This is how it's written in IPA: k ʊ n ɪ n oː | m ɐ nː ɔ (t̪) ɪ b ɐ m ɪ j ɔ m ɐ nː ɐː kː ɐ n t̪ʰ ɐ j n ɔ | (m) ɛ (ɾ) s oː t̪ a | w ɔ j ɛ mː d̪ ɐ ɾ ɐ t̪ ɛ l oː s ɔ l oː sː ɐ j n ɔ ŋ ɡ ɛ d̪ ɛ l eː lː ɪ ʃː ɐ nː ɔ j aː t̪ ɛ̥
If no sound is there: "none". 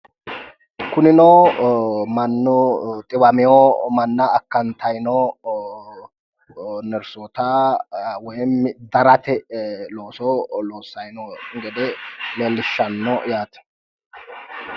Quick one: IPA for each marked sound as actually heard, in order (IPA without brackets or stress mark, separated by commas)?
t̪ʼ, n, ɾ